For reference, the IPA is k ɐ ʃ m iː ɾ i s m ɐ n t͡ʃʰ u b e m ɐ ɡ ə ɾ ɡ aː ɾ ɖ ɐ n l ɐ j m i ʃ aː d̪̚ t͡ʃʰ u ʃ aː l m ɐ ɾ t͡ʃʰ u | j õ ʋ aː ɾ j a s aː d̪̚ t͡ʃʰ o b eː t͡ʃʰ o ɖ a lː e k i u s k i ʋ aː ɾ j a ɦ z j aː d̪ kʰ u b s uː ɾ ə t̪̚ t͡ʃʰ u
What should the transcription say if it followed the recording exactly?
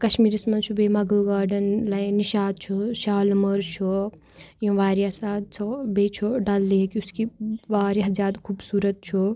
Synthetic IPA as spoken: k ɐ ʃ m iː ɾ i s m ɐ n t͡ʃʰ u b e m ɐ ɡ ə l ɡ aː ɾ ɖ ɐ n l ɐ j n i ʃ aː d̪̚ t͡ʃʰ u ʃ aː l m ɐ ɾ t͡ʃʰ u | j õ ʋ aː ɾ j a s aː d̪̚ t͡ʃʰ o b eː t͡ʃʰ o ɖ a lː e k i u s k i ʋ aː ɾ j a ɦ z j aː d̪ kʰ u b s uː ɾ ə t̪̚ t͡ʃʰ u